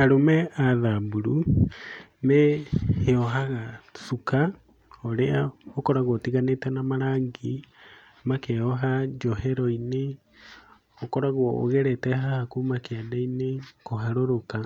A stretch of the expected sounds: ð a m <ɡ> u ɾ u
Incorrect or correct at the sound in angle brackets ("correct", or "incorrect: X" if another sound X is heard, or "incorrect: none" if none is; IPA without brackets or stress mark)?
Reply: incorrect: b